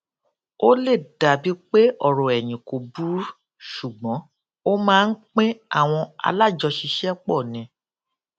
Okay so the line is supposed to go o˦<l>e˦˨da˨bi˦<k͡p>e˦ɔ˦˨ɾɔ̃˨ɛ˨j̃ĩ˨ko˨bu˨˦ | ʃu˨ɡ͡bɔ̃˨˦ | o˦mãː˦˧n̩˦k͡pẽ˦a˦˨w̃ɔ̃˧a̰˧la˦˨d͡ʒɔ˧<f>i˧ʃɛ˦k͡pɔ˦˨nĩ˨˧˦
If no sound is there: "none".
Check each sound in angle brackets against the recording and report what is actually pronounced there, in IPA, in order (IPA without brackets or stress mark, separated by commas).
l, k͡p, ʃ